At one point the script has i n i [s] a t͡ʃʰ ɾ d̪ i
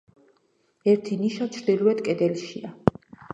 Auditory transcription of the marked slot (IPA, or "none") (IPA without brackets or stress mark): ʃ